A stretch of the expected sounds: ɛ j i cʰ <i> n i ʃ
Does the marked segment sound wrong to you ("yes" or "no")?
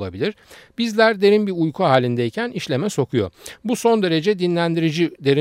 yes